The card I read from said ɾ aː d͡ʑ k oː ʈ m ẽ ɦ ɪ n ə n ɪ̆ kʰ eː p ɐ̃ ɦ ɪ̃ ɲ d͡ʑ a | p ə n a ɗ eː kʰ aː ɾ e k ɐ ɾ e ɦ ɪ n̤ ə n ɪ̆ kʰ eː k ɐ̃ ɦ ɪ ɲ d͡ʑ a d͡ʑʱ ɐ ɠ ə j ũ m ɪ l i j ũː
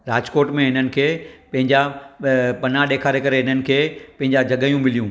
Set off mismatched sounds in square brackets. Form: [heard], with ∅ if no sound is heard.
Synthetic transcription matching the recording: ɾ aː d͡ʑ k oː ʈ m ẽ ɦ ɪ n ə n ɪ̆ kʰ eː p ɐ̃ ɦ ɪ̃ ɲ d͡ʑ a | p [ɐ] n a ɗ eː kʰ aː ɾ e k ɐ ɾ e ɦ ɪ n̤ ə n ɪ̆ kʰ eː [p] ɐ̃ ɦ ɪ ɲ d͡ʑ a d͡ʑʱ ɐ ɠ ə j ũ m ɪ l i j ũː